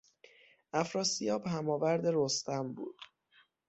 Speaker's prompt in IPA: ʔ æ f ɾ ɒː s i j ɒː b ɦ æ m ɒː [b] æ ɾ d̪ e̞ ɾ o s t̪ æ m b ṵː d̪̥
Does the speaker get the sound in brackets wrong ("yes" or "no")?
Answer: yes